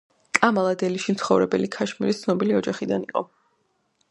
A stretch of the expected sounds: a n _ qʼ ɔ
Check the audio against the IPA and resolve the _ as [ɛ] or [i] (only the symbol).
i